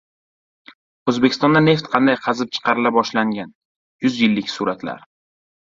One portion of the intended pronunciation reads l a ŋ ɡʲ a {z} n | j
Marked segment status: incorrect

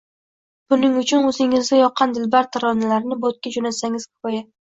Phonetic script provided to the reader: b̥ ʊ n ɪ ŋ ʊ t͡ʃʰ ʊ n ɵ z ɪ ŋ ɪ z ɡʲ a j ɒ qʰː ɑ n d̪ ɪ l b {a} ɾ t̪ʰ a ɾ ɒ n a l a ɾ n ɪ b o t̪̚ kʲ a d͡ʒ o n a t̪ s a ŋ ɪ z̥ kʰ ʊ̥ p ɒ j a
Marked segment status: correct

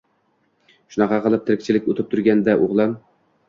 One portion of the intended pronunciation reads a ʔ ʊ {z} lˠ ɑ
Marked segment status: incorrect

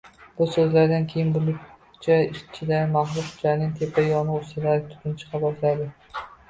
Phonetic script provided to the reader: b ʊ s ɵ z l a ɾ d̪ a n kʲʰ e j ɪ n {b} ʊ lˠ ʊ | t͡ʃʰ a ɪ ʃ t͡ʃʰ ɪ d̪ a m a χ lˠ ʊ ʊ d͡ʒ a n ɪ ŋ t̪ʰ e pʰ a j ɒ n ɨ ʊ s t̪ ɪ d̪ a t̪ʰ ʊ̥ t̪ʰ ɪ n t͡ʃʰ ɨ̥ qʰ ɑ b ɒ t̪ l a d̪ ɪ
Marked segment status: correct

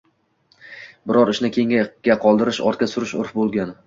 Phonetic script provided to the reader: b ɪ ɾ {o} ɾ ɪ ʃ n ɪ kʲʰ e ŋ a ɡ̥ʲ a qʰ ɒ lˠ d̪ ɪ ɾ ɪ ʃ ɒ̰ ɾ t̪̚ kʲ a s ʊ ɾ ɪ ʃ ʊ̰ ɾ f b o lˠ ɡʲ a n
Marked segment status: incorrect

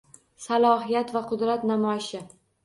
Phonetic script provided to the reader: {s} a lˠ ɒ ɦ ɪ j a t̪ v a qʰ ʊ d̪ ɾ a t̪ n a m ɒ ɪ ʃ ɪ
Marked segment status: correct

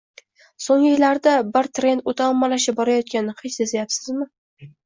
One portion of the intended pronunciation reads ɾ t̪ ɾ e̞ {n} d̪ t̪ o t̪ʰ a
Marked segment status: correct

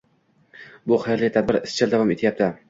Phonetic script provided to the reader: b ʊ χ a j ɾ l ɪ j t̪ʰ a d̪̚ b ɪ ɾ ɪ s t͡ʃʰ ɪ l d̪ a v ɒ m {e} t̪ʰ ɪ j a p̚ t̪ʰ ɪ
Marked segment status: correct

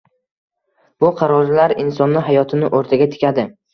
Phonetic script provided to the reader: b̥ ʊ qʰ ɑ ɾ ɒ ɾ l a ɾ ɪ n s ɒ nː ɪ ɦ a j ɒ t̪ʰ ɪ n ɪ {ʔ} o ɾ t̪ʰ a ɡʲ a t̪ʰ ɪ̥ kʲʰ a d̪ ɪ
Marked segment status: correct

